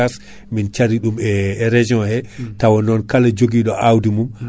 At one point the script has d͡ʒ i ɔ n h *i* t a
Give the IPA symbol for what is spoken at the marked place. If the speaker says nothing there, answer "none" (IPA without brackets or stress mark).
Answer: ɛ